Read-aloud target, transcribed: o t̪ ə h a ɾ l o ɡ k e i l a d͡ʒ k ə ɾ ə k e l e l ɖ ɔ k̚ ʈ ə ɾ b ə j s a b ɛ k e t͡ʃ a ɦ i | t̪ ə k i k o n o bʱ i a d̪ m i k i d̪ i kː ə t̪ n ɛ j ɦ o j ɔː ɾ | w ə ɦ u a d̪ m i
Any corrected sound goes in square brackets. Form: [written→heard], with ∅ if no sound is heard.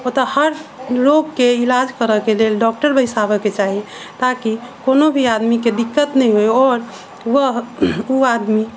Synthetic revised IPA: o t̪ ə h [a→ə] ɾ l o ɡ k e i l a d͡ʒ k ə ɾ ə k e l e l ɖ ɔ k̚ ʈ ə ɾ b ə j s a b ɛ k e t͡ʃ a ɦ i | t̪ [ə→a] k i k o n o bʱ i a d̪ m i k [i→e] d̪ i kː ə t̪ n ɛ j ɦ o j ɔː ɾ | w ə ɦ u a d̪ m i